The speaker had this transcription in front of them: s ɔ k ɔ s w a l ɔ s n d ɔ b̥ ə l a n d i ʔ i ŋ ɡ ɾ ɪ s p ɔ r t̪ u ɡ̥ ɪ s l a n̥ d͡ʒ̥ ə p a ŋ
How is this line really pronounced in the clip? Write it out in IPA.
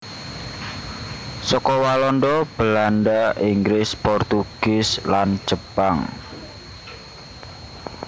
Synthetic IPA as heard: s ɔ k ɔ w a l ɔ n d ɔ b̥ ə l a n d a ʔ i ŋ ɡ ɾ ɪ s p ɔ r t̪ u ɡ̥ ɪ s l a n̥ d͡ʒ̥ ə p a ŋ